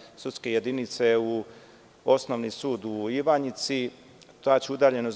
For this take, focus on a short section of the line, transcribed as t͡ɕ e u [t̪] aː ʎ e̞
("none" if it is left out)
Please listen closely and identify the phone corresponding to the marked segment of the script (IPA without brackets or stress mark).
d̪